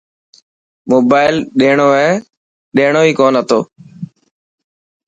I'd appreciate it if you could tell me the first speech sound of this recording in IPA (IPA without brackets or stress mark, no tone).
m